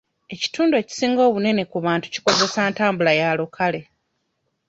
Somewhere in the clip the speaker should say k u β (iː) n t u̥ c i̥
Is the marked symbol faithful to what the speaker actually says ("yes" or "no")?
no